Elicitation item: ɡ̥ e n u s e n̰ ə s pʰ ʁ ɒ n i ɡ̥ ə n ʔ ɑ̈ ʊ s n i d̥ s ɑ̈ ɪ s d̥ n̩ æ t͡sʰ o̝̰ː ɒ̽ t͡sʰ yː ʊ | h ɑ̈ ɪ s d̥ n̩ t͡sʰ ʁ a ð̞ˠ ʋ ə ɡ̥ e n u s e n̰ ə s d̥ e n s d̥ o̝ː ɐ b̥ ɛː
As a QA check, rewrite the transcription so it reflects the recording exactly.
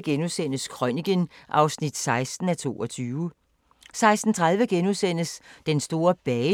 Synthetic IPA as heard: ɡ̥ e n u s e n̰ ə s kʰ ʁ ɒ n i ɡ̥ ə n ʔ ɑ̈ ʊ s n i d̥ s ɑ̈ ɪ s d̥ n̩ æ t͡sʰ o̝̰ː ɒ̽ t͡sʰ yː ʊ | s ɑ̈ ɪ s d̥ n̩ t͡sʰ ʁ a ð̞ˠ ʋ ə ɡ̥ e n u s e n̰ ə s d̥ e n s d̥ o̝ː ɐ b̥ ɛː

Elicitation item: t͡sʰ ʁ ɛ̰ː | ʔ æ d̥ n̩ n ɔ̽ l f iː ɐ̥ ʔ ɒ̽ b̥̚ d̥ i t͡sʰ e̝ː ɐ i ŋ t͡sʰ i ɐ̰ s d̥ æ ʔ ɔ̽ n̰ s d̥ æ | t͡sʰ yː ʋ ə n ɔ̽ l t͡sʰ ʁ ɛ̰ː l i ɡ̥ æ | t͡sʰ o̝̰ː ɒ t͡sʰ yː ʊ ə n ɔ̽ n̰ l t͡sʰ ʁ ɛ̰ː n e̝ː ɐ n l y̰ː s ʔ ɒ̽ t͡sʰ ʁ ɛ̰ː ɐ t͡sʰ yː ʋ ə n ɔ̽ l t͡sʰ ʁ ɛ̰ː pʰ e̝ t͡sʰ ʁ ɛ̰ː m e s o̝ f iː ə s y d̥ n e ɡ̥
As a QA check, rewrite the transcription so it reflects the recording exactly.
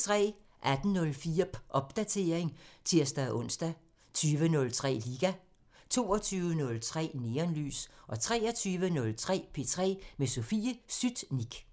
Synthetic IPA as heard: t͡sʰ ʁ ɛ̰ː | ʔ æ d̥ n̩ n ɔ̽ l f iː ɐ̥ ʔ ɒ̽ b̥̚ d̥ æ t͡sʰ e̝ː ɐ e ŋ t͡sʰ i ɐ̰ s d̥ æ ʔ ɔ̽ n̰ s d̥ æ | t͡sʰ yː ʋ ə n ɔ̽ l t͡sʰ ʁ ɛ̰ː l i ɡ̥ æ | t͡sʰ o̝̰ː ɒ t͡sʰ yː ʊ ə n ɔ̽ l t͡sʰ ʁ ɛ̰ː n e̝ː ɐ n l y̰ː s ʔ ɒ̽ t͡sʰ ʁ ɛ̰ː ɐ t͡sʰ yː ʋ ə n ɔ̽ l t͡sʰ ʁ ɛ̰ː pʰ e̝ t͡sʰ ʁ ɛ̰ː m e s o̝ f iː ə s y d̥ n i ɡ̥

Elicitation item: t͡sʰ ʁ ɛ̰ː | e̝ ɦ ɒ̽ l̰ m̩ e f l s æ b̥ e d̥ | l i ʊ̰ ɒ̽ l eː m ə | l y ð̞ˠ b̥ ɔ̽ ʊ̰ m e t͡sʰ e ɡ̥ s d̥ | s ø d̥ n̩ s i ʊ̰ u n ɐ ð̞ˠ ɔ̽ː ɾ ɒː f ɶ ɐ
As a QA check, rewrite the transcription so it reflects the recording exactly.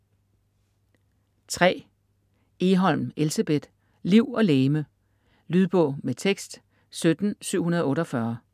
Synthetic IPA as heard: t͡sʰ ʁ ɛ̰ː | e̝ ɦ ɒ̽ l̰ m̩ e l s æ b̥ e d̥ | l i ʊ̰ ɒ̽ l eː m ə | l y ð̞ˠ b̥ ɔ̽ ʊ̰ m e t͡sʰ e ɡ̥ s d̥ | s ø d̥ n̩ s y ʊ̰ u n ɐ ð̞ˠ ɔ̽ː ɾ ɒ f ɶ ɐ

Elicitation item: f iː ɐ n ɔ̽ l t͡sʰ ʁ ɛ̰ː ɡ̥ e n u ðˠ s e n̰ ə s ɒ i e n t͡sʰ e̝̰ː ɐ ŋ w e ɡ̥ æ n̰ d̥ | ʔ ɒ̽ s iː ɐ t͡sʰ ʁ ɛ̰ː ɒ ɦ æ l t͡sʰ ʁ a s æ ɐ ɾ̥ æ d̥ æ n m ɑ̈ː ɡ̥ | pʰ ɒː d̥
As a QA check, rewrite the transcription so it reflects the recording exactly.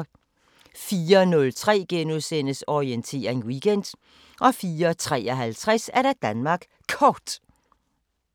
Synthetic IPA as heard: f iː ɐ n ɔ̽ l t͡sʰ ʁ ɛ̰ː ɡ̥ e n u ðˠ s e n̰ ə s ɒ i e n t͡sʰ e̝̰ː ɐ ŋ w i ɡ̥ e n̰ d̥ | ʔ ɒ̽ f iː ɐ t͡sʰ ʁ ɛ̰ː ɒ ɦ æ l t͡sʰ ʁ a s æ ɐ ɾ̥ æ d̥ æ n m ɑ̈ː ɡ̥ | kʰ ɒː d̥

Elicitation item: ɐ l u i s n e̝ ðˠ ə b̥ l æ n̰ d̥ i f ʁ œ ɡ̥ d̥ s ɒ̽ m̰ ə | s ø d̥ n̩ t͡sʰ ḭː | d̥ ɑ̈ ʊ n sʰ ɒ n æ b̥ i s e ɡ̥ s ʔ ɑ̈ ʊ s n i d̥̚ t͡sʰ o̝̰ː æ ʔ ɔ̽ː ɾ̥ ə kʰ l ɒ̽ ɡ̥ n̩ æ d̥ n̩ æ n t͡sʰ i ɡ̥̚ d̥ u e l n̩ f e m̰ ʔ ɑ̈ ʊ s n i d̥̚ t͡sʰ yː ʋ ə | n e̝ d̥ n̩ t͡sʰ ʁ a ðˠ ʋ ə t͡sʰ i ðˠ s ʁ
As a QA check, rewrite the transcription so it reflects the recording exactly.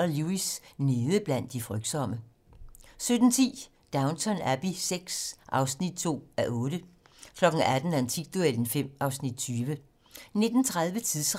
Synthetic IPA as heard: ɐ l u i s n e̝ ðˠ ə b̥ l æ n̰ d̥ i f ʁ œ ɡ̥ d̥ s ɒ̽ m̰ ə | s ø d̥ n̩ t͡sʰ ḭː | d̥ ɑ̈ ʊ n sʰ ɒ n æ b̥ i s e ɡ̥ s ʔ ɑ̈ ʊ s n i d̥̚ t͡sʰ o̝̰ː æ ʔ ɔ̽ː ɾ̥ ə kʰ l ɒ̽ ɡ̥ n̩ æ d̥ n̩ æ n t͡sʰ i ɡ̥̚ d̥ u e l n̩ f e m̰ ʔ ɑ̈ ʊ s n i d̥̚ t͡sʰ yː ʋ ə | n e̝ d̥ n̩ t͡sʰ ʁ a ðˠ ʋ ə t͡sʰ i ðˠ s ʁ

